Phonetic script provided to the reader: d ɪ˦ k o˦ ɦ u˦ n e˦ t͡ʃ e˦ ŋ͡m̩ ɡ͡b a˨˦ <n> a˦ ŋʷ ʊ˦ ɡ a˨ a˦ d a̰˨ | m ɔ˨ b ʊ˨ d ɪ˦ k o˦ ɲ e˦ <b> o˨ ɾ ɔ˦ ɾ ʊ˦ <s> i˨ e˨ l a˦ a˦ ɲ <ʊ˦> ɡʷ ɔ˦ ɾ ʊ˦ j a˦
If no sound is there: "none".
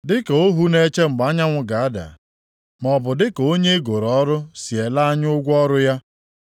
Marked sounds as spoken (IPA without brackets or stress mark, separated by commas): ɲ, ɡ, s, ʊ˦